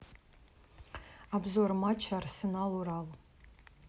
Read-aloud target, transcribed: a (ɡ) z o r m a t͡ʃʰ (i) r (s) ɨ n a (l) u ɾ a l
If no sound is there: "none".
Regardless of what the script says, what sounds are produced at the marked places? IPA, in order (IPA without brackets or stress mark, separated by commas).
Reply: b, a, s, l